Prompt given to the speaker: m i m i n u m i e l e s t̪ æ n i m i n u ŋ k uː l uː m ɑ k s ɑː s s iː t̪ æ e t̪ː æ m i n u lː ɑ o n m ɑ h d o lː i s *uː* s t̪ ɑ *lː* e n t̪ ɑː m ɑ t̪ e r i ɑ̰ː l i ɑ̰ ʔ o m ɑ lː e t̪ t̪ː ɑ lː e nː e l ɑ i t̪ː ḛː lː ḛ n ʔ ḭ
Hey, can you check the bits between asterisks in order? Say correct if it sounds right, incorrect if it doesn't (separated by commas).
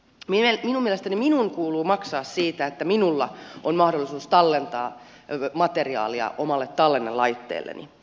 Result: correct, correct